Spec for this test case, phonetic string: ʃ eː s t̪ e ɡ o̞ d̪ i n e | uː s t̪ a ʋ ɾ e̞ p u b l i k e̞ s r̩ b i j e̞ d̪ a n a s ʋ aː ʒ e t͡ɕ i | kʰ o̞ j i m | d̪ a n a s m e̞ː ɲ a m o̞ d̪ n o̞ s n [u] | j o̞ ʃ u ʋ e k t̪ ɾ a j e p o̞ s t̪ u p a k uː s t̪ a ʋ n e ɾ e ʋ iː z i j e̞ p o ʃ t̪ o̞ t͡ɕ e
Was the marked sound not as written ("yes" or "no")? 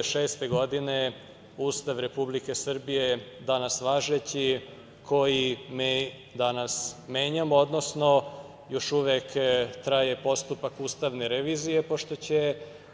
yes